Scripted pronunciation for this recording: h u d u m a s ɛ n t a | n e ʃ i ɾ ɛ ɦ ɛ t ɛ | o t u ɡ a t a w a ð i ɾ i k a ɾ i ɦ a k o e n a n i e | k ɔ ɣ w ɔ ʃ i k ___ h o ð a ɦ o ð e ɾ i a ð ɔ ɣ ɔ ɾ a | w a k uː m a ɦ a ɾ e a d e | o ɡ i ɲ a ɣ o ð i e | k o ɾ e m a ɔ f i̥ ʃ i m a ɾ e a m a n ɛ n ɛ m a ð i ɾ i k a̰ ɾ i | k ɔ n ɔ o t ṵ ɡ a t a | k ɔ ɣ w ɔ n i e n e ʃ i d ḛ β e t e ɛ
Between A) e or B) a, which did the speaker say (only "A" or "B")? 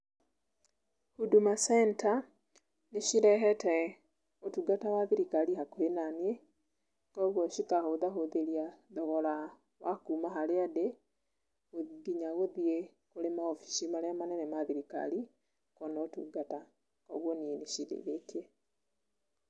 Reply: B